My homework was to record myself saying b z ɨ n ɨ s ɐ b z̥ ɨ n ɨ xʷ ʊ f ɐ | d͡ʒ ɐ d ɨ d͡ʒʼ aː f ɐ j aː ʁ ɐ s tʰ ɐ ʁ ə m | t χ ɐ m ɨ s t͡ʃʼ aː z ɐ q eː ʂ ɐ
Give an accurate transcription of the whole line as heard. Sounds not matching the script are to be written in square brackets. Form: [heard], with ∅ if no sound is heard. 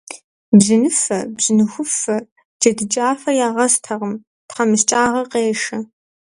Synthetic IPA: b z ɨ n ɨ [f] ɐ b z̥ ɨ n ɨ xʷ ʊ f ɐ | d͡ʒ ɐ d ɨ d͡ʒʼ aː f ɐ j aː ʁ ɐ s tʰ ɐ ʁ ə m | t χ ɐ m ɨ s t͡ʃʼ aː [ʁ] ɐ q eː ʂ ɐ